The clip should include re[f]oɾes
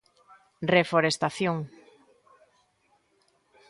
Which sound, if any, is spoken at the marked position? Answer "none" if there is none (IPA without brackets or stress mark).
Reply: f